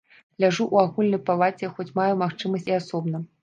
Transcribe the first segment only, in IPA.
lʲ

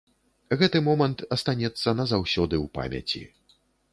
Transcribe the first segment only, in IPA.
ɣ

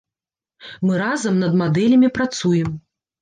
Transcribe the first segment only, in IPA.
m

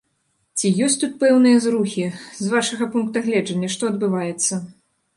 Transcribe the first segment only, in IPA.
t͡sʲ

